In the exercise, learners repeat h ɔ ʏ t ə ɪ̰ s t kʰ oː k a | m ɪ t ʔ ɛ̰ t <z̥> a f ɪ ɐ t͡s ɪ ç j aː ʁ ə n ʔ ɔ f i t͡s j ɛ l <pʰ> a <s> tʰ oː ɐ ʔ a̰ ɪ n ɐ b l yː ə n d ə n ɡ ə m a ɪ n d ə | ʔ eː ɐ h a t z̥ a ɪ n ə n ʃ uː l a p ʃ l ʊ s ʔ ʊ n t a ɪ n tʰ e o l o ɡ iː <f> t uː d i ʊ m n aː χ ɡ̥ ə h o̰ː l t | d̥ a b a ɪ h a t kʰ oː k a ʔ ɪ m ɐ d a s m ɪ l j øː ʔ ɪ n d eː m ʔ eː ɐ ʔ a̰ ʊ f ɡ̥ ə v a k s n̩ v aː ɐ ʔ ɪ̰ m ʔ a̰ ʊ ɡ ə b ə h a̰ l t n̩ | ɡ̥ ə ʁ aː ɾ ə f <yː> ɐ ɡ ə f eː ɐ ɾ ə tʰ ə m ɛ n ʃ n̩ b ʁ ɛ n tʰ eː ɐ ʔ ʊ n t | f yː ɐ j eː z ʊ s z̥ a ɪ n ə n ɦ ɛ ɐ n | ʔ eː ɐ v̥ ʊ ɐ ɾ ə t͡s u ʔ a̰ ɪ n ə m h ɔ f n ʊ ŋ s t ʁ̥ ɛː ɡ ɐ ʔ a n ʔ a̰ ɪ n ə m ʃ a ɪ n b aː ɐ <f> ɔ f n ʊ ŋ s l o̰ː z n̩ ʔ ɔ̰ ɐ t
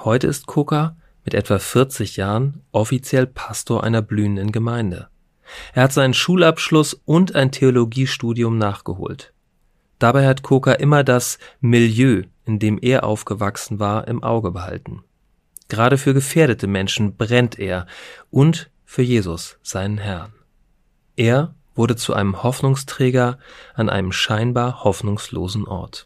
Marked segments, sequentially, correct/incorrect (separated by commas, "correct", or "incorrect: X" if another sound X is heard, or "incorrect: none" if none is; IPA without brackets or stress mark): incorrect: v̥, correct, correct, incorrect: ʃ, correct, incorrect: h